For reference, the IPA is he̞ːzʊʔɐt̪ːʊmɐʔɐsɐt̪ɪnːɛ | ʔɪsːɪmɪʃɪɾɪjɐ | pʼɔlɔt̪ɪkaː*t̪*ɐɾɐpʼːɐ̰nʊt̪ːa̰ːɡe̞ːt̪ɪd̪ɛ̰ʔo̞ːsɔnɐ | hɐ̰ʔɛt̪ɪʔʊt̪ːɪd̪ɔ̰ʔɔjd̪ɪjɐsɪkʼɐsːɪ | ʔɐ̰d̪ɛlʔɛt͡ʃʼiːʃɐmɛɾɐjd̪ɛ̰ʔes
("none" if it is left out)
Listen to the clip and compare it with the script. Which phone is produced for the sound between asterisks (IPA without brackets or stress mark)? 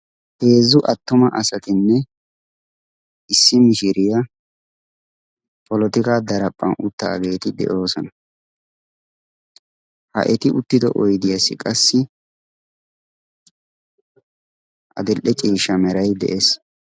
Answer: d̪